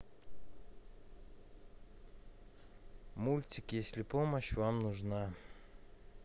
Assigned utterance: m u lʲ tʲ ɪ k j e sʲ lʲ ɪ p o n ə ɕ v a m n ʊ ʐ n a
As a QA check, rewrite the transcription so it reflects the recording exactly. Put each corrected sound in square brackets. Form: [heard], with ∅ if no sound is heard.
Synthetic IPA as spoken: m u lʲ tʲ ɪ k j e sʲ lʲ ɪ p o [m] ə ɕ v a m n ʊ ʐ n a